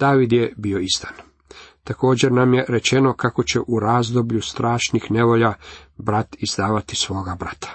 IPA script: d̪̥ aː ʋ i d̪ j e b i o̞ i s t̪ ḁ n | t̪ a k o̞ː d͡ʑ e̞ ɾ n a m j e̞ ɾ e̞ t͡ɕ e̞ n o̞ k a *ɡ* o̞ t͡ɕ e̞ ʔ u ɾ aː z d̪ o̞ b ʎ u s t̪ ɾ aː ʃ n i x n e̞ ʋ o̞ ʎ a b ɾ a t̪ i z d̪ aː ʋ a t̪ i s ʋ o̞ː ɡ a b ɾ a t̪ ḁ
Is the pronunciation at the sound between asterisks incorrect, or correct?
incorrect